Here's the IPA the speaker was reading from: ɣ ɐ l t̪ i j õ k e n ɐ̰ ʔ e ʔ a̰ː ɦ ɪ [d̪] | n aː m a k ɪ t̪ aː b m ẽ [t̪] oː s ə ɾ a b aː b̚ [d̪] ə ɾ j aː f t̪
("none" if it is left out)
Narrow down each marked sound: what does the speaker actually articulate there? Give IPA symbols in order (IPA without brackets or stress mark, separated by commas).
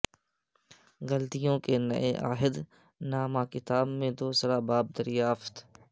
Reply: d̪, d̪, d̪